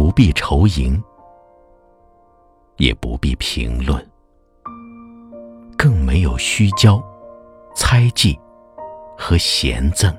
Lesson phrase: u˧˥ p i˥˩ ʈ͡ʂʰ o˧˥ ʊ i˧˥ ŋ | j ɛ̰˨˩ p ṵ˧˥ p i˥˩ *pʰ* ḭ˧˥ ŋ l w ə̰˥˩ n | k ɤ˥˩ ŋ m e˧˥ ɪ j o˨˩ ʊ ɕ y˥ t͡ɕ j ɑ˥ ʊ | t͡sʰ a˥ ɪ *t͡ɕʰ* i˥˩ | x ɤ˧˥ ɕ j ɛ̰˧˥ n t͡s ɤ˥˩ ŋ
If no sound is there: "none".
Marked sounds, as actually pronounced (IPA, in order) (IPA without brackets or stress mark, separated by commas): pʰ, t͡ɕ